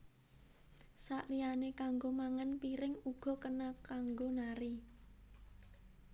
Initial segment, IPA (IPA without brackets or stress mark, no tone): s